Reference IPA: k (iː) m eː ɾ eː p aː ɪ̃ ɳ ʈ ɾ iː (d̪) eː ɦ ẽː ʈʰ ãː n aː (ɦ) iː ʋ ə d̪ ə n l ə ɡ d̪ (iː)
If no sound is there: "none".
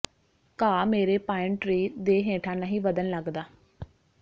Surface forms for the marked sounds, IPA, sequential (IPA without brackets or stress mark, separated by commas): aː, d̪, ɦ, aː